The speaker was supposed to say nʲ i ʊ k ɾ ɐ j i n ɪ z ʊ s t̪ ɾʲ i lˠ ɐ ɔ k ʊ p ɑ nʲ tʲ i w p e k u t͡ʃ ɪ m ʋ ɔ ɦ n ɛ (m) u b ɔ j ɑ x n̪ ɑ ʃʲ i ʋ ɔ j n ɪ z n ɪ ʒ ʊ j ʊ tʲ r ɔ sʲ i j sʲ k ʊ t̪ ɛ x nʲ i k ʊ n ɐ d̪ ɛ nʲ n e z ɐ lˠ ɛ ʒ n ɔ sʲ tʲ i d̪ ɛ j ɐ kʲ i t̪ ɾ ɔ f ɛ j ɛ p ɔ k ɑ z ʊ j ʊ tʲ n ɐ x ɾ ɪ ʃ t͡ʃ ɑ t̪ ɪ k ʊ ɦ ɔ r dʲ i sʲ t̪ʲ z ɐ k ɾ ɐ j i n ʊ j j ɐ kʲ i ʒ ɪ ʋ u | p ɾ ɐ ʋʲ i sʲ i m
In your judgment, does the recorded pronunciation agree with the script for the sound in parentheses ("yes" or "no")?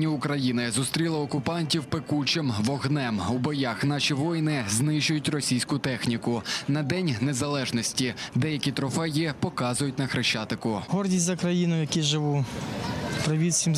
yes